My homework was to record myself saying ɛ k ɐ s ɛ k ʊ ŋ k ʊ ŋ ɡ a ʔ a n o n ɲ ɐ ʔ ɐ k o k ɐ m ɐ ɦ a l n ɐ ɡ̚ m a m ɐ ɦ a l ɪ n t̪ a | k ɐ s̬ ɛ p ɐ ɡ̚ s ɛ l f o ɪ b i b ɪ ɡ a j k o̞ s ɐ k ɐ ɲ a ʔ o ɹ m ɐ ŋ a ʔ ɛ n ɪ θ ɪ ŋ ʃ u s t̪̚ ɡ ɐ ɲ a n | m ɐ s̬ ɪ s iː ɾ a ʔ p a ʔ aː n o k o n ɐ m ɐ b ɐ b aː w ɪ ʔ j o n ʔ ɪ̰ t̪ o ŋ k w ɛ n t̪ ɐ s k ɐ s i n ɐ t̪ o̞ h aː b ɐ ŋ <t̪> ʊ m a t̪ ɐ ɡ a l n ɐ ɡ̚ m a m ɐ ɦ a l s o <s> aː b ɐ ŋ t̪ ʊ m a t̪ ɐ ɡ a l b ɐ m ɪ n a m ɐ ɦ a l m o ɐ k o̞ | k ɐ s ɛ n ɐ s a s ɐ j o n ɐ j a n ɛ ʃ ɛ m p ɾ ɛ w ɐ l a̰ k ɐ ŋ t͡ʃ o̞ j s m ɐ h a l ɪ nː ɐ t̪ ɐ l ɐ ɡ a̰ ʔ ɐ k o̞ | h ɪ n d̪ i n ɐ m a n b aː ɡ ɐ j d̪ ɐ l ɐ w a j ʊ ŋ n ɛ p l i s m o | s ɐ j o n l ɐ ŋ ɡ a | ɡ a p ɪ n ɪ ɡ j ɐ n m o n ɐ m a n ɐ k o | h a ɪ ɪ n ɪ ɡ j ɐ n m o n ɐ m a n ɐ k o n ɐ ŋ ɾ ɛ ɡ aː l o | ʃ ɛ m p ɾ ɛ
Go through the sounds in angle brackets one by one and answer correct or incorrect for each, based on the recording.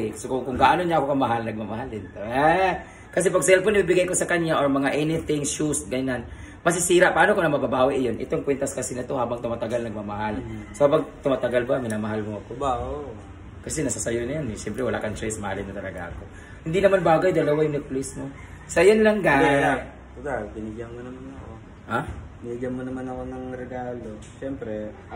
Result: correct, incorrect: h

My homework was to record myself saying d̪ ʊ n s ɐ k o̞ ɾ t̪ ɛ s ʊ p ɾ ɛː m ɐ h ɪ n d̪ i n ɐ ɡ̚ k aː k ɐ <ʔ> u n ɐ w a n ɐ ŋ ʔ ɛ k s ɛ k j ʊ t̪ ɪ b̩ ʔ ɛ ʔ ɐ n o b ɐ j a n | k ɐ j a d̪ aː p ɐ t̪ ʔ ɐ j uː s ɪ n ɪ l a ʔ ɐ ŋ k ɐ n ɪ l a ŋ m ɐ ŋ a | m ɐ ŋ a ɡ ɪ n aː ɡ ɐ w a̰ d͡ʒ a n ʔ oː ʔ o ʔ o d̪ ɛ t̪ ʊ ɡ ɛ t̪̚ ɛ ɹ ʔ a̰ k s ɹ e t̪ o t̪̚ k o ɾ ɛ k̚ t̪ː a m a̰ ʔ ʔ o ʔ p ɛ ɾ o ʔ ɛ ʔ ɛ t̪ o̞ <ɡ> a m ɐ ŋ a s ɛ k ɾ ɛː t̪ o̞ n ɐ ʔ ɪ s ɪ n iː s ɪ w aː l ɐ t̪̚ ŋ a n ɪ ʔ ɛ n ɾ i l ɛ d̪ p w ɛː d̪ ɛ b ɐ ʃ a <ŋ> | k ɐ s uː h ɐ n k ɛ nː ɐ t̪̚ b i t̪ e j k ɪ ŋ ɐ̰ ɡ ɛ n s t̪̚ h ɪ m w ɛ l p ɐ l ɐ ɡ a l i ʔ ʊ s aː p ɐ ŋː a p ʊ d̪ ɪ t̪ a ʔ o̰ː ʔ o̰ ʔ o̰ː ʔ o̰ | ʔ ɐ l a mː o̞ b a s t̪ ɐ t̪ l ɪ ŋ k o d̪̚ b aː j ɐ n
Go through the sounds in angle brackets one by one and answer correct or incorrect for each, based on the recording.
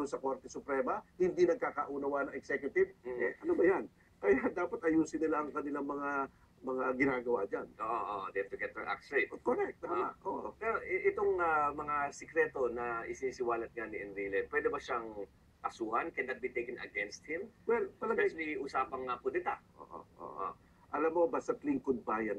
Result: correct, incorrect: ŋ, correct

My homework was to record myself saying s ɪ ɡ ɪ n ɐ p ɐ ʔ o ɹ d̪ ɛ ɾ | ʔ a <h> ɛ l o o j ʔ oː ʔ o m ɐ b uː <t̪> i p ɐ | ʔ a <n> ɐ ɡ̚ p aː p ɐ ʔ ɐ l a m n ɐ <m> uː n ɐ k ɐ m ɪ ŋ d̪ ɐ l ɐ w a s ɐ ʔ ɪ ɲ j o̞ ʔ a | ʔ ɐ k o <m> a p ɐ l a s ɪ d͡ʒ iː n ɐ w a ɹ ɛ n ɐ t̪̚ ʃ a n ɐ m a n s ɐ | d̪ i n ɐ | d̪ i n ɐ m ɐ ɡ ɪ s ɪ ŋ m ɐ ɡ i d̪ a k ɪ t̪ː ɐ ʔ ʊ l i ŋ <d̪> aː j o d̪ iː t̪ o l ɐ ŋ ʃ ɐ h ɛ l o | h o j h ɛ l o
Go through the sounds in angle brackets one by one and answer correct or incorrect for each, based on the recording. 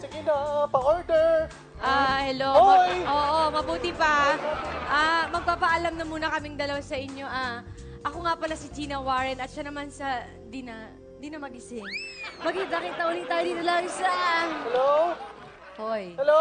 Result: correct, correct, incorrect: m, correct, incorrect: ŋ, incorrect: t̪

